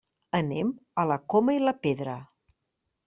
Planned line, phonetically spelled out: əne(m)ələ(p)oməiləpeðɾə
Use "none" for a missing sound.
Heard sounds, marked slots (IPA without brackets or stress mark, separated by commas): m, k